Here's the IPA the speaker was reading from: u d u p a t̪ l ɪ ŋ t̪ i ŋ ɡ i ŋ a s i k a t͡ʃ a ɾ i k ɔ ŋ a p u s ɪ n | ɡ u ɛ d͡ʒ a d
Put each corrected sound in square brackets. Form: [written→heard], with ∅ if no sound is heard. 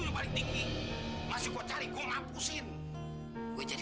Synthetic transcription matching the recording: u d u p a [t̪→∅] l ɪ ŋ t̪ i ŋ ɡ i [ŋ→m] a s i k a t͡ʃ a ɾ i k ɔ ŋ a p u s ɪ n | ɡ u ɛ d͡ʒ a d